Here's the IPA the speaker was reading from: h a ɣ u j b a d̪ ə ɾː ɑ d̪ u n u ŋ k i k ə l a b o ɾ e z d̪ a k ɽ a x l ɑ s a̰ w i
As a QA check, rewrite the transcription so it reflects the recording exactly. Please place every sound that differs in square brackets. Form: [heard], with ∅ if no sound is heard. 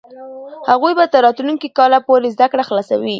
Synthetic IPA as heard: h a ɣ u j b a [t̪] ə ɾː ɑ [t̪] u n u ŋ k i k [ɑ] l a [p] o ɾ e z d̪ a k ɽ a x l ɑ s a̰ w i